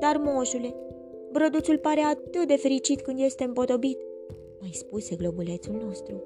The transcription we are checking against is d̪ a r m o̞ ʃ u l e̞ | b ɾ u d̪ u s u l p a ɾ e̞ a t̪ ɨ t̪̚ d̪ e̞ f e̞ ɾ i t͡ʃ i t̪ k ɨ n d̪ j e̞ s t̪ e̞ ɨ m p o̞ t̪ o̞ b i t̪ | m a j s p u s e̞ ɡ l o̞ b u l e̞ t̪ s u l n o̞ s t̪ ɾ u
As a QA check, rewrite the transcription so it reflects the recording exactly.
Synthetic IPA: d̪ a r m o̞ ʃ u l e̞ | b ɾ o d̪ u s u l p a ɾ e̞ a t̪ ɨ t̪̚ d̪ e̞ f e̞ ɾ i t͡ʃ i t̪ k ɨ n d̪ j e̞ s t̪ e̞ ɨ m p o̞ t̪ o̞ b i t̪ | m a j s p u s e̞ ɡ l o̞ b u l e̞ t̪ s u l n o̞ s t̪ ɾ u